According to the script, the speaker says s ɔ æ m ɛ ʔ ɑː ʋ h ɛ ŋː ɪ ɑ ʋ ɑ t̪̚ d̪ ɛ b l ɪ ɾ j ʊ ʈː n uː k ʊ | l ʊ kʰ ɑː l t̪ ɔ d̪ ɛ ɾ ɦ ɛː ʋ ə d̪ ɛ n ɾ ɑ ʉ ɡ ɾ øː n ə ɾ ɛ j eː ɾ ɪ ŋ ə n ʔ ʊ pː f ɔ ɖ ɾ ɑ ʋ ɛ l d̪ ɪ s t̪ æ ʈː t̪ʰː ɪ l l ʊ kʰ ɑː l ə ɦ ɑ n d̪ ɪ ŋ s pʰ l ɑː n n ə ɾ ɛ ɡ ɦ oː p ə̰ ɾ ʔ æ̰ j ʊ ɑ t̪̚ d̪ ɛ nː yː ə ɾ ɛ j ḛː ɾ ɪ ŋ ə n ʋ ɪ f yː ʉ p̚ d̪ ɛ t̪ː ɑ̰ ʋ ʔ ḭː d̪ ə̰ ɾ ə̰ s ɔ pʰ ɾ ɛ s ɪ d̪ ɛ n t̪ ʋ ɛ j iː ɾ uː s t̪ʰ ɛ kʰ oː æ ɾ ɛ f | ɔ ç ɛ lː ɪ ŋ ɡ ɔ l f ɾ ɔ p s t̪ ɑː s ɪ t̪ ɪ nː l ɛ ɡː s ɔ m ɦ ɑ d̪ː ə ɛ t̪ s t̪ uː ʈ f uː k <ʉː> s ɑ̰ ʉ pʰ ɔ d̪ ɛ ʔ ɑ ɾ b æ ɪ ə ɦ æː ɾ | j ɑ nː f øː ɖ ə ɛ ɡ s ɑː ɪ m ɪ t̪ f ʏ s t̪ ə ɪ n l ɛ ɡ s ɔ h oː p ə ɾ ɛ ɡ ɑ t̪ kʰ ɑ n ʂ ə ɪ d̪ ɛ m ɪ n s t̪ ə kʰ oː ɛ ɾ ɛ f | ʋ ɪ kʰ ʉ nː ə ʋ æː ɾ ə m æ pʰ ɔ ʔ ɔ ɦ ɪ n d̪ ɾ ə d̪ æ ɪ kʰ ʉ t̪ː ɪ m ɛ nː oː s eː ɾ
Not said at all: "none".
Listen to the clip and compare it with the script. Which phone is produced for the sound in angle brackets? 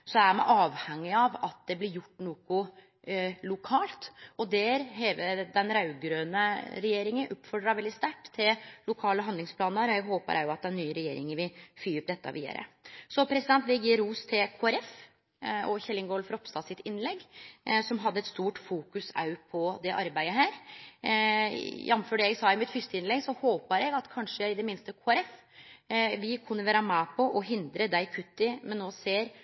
ʉ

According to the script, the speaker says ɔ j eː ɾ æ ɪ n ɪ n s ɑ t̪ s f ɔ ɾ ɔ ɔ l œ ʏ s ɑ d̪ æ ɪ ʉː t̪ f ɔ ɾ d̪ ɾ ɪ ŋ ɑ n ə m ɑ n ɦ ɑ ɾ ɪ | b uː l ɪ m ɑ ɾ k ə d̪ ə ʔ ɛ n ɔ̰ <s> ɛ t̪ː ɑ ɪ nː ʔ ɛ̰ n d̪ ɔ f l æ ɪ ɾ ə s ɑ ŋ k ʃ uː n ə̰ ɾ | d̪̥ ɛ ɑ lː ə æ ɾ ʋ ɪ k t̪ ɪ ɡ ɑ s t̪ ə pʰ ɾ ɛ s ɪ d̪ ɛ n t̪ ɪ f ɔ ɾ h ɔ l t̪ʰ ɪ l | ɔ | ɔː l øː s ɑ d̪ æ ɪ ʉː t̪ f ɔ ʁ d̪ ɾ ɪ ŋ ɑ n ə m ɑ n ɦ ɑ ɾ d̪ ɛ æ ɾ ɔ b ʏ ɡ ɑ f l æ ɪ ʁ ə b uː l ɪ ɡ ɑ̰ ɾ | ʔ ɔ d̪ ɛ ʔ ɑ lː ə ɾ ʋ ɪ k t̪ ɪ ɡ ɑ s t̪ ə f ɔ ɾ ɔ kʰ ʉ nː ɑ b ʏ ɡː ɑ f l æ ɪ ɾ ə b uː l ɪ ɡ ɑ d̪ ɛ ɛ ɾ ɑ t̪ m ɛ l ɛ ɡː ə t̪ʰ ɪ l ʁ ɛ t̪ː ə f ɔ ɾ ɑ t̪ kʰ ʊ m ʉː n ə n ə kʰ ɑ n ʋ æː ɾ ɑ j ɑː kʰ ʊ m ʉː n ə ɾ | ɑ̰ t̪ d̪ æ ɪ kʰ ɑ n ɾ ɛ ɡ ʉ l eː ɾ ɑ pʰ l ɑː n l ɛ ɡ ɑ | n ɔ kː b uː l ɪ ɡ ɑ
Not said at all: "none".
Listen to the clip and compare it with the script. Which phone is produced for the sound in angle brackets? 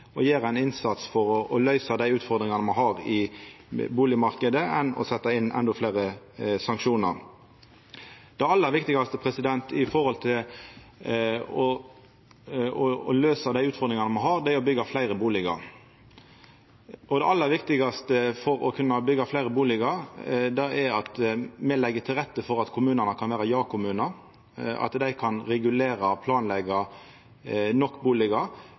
s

